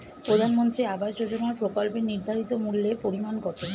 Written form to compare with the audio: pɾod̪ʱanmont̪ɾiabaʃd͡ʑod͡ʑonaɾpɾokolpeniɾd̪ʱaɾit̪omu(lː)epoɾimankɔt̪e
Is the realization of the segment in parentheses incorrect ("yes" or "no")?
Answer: no